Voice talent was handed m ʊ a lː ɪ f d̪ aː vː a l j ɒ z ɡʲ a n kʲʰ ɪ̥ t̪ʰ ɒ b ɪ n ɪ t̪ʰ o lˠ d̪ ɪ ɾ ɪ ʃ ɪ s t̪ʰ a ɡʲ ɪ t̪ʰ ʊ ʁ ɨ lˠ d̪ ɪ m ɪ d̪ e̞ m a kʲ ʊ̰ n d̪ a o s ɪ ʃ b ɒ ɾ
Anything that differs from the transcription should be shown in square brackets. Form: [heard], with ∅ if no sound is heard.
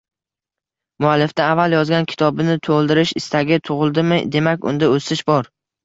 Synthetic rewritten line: m ʊ a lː ɪ f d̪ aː vː a l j ɒ z ɡʲ a n kʲʰ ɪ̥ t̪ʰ ɒ b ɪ n ɪ t̪ʰ o lˠ d̪ ɪ ɾ ɪ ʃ ɪ s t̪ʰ a ɡʲ ɪ t̪ʰ ʊ ʁ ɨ lˠ d̪ ɪ m ɪ d̪ e̞ m a kʲ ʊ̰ n d̪ a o s ɪ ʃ b ɒ ɾ